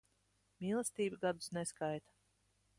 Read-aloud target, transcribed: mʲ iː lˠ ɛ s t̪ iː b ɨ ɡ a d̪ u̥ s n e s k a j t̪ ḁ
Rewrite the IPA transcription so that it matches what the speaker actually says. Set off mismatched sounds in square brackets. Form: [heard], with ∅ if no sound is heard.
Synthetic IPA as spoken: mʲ iː lˠ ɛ s t̪ iː b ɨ ɡ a d̪ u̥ s n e s k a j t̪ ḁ